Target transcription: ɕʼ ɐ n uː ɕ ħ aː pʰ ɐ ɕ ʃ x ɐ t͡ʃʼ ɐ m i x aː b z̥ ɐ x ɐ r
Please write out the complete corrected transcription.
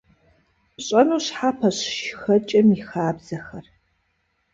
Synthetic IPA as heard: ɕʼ ɐ n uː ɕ ħ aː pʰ ɐ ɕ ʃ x ɐ t͡ʃʼ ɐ m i x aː b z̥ ɐ x ɐ r